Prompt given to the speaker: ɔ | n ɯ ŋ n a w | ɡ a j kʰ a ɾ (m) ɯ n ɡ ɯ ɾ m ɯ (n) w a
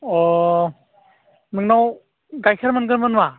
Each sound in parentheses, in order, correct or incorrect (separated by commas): correct, correct